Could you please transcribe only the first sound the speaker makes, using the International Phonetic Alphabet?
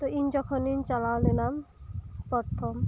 t̪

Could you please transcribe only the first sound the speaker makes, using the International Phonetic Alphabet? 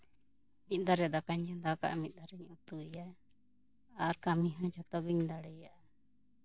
m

